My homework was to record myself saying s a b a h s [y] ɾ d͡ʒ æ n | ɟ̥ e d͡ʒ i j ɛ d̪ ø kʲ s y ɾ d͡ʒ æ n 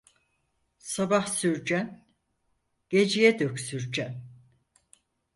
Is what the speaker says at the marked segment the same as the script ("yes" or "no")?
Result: yes